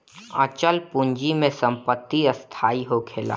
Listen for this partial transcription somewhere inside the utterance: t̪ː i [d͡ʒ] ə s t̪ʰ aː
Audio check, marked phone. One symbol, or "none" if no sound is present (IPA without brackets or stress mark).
none